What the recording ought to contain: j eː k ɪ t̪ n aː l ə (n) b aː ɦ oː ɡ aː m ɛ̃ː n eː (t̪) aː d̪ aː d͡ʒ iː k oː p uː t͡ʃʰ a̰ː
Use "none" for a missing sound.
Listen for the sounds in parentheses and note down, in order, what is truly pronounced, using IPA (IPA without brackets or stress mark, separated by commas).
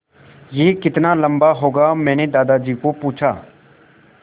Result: m, d̪